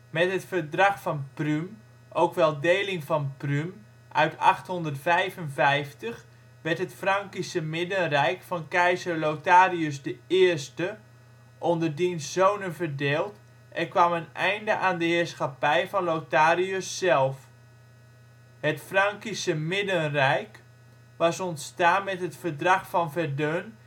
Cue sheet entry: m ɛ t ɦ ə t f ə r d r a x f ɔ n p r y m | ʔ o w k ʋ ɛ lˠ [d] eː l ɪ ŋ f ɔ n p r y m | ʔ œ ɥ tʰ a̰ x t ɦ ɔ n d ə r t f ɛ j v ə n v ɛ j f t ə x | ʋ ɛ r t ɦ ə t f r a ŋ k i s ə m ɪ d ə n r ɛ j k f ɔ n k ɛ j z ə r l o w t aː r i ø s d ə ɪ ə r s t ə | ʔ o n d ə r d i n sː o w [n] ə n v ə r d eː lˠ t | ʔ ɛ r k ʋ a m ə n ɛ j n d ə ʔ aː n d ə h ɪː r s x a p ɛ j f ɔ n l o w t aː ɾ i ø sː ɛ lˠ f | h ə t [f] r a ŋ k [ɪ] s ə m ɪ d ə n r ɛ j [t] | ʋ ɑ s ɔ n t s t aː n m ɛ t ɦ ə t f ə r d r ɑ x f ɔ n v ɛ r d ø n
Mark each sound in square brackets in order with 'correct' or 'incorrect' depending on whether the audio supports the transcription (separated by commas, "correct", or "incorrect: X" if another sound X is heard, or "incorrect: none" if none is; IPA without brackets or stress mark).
correct, correct, correct, incorrect: i, incorrect: k